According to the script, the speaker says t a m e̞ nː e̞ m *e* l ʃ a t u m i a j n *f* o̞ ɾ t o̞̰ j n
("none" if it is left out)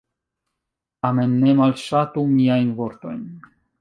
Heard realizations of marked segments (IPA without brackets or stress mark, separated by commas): a, v